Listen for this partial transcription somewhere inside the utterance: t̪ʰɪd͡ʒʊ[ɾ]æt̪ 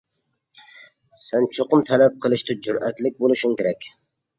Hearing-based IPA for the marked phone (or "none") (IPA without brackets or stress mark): ɾ